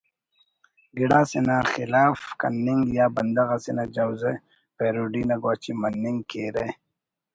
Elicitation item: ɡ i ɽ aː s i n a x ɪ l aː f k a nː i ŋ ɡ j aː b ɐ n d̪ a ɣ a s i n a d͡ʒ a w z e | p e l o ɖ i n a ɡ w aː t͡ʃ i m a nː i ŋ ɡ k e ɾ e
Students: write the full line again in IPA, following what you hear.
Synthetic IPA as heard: ɡ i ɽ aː s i n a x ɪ l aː f k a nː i ŋ ɡ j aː b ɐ n d̪ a ɣ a s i n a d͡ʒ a w z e | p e ɾ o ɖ i n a ɡ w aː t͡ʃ i m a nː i ŋ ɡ k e ɾ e